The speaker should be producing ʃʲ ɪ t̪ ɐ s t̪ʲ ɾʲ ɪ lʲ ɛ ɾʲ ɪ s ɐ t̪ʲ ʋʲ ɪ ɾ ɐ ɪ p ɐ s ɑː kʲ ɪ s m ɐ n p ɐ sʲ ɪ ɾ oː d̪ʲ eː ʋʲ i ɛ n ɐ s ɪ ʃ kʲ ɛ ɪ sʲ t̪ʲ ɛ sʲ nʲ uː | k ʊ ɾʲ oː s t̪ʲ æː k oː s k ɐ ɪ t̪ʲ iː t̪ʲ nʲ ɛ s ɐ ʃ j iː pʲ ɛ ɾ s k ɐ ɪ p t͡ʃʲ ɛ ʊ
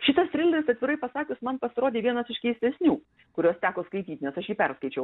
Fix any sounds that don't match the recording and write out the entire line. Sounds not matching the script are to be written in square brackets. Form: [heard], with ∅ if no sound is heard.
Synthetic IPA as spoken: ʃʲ ɪ t̪ ɐ s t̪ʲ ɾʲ ɪ lʲ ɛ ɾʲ ɪ s ɐ t̪ʲ ʋʲ ɪ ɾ ɐ ɪ p ɐ s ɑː kʲ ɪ s m ɐ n p ɐ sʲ ɪ ɾ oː d̪ʲ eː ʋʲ i ɛ n ɐ s ɪ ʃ kʲ ɛ ɪ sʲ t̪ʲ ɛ sʲ nʲ uː | k ʊ ɾʲ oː s t̪ʲ æː k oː s k ɐ ɪ t̪ʲ iː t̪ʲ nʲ ɛ s ɐ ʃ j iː pʲ ɛ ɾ s k ɐ ɪ [∅] t͡ʃʲ ɛ ʊ